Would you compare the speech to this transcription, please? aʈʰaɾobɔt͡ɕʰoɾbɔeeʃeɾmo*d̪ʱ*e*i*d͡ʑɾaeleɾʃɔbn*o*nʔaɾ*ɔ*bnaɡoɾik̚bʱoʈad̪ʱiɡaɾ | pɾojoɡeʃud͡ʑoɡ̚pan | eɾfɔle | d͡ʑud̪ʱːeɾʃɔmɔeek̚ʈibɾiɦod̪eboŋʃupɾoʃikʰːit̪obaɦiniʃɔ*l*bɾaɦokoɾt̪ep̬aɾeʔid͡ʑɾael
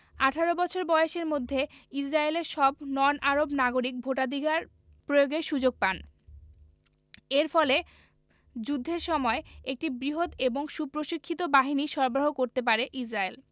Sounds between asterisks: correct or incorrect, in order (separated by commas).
incorrect, correct, incorrect, incorrect, incorrect